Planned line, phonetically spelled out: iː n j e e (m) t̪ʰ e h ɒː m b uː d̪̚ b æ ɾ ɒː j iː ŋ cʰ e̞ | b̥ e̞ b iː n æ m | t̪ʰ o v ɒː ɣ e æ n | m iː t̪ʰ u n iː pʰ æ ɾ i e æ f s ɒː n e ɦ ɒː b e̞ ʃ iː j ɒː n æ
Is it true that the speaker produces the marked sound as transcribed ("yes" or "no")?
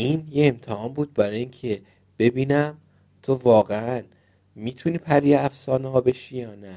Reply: yes